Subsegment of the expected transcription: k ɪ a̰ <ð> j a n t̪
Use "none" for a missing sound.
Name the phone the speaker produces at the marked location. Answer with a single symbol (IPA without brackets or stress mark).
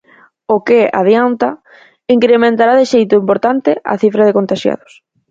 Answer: ð